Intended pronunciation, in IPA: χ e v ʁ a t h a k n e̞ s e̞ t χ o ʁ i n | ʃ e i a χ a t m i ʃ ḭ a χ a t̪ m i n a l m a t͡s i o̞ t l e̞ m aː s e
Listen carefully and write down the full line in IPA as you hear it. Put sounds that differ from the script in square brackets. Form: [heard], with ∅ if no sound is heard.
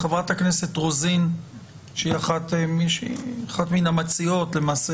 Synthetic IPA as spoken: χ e v ʁ a t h a k n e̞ s e̞ t [ʁ] o [z] i n | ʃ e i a χ a t m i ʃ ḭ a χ a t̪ m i n a [∅] m a t͡s i o̞ t l e̞ m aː s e